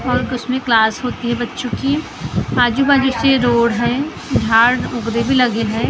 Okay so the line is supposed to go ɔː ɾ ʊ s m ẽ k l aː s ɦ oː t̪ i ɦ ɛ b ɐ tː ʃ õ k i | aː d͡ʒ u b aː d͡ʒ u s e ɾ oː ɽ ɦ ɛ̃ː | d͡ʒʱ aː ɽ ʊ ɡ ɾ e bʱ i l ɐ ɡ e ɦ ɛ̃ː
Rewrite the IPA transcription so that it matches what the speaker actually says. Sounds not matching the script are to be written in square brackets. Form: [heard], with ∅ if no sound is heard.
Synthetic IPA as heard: ɔː ɾ ʊ s m ẽ k l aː s ɦ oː t̪ i ɦ ɛ b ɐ tː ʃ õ k i | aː d͡ʒ u b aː d͡ʒ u s e ɾ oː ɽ ɦ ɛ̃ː | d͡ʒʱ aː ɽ ʊ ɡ ɾ e bʱ i l ɐ ɡ e ɦ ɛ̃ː